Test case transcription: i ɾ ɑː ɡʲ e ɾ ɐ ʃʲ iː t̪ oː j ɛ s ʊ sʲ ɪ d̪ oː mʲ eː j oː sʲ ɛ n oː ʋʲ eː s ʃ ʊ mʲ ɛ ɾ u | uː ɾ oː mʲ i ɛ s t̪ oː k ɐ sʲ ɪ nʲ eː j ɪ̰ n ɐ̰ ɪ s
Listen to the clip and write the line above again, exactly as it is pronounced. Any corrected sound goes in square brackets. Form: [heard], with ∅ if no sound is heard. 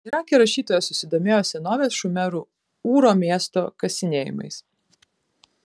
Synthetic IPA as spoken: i ɾ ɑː [kʲ] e ɾ ɐ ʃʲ iː t̪ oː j ɛ s ʊ sʲ ɪ d̪ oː mʲ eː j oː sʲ ɛ n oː ʋʲ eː s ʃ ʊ mʲ ɛ ɾ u | uː ɾ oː mʲ i ɛ s t̪ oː k ɐ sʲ ɪ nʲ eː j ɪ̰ [m] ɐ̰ ɪ s